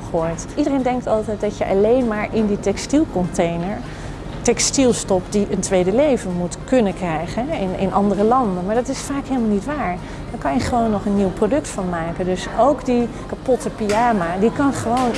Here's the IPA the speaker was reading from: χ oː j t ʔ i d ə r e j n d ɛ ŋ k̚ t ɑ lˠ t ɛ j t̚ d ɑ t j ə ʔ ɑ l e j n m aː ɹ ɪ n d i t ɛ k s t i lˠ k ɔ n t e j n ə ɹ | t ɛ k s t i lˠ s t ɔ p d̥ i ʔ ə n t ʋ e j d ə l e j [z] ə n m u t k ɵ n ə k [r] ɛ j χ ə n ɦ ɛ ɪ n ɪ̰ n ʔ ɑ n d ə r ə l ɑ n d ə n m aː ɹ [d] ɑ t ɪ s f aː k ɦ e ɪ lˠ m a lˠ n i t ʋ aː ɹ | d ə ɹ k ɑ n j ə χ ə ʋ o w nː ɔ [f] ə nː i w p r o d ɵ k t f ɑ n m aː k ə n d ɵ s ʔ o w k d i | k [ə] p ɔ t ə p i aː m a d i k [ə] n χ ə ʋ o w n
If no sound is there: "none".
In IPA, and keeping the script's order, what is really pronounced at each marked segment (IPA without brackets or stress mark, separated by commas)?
v, r, d, χ, a, ɑ